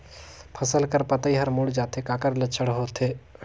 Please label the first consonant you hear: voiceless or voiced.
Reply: voiceless